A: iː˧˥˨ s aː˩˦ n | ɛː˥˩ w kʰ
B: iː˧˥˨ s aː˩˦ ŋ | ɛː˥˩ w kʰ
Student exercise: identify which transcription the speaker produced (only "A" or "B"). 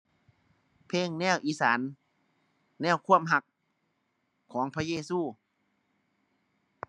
A